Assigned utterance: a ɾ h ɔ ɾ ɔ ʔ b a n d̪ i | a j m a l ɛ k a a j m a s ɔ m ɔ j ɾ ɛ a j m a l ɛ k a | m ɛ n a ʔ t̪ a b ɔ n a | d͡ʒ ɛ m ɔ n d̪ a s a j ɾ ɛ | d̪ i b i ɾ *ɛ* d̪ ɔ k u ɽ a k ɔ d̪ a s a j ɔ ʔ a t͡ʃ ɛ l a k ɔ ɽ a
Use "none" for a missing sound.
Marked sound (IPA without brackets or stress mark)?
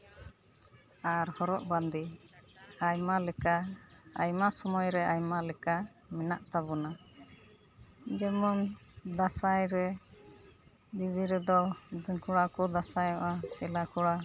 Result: ɛ